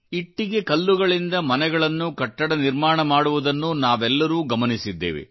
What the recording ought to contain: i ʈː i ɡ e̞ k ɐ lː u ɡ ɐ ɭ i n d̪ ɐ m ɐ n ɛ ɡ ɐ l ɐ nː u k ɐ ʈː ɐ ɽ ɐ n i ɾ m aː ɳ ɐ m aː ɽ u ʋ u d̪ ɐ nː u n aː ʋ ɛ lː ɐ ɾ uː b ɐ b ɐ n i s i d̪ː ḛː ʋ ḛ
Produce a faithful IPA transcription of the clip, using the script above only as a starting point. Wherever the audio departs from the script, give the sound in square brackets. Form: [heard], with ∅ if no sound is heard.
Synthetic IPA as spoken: i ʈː i ɡ e̞ k ɐ lː u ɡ ɐ ɭ i n d̪ ɐ m ɐ n ɛ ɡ ɐ [ɭ] ɐ nː u k ɐ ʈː ɐ ɽ ɐ n i ɾ m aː ɳ ɐ m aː ɽ u ʋ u d̪ ɐ nː u n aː ʋ ɛ lː ɐ ɾ uː [ɡ] ɐ [m] ɐ n i s i d̪ː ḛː ʋ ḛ